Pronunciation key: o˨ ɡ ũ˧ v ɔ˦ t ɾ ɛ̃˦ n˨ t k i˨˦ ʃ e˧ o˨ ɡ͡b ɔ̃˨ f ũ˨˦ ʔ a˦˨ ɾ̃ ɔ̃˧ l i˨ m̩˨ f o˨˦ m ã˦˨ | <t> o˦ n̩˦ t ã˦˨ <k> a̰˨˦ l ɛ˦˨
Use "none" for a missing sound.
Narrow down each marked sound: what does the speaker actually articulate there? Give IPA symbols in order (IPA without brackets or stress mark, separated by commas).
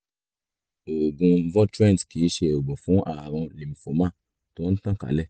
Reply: t, k